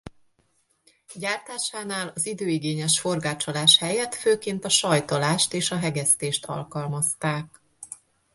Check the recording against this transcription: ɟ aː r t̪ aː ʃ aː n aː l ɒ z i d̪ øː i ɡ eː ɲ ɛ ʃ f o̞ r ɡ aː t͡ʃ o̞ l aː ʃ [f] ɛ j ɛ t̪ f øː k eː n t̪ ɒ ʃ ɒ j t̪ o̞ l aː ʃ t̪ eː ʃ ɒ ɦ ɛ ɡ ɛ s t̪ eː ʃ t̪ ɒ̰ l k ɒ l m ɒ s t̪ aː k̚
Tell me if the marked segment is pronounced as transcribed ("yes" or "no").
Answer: no